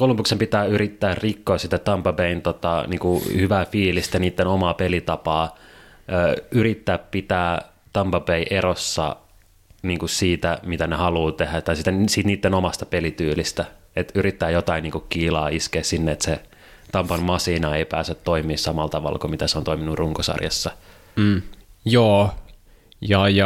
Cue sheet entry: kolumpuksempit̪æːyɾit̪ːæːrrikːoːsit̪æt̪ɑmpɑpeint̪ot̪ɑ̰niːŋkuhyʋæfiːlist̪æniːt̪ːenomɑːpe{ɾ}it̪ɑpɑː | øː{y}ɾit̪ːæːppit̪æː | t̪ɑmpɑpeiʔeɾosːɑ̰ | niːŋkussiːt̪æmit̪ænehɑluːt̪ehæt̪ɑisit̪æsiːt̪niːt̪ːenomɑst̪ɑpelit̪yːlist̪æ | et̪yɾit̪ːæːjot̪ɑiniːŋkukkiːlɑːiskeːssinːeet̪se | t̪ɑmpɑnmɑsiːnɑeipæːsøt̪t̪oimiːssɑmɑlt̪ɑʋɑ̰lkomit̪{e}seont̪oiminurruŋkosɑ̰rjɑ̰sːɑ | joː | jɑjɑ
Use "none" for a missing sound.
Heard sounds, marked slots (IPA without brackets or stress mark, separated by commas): l, y, æ